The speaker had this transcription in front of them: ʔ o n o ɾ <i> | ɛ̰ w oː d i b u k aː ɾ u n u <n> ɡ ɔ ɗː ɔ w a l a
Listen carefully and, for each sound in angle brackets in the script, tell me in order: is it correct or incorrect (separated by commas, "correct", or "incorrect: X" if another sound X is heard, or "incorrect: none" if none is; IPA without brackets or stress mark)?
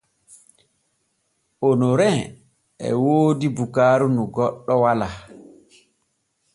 incorrect: ɛ, incorrect: none